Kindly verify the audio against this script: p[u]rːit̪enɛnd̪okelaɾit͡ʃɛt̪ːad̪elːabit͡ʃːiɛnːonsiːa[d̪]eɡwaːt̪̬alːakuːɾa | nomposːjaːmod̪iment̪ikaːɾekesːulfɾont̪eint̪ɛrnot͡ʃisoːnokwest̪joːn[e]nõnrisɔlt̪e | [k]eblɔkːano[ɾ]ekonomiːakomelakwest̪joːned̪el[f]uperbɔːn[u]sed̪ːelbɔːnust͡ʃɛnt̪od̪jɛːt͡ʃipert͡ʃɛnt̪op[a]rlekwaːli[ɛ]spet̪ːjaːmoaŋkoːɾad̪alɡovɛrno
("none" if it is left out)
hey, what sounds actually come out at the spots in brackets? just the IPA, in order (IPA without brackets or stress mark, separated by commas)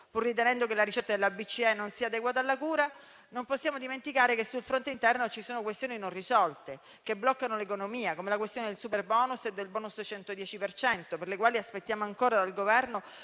u, d̪, i, k, l, s, u, e, a